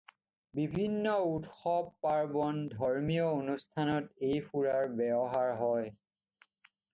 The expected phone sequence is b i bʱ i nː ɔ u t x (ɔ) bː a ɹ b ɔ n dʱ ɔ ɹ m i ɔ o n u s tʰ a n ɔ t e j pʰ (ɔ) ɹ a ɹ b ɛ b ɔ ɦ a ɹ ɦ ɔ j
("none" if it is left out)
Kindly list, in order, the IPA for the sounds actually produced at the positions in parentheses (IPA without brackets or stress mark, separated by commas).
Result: ɔ, u